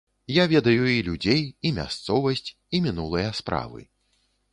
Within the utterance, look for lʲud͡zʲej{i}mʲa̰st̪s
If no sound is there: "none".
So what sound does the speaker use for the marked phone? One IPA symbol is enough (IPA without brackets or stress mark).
i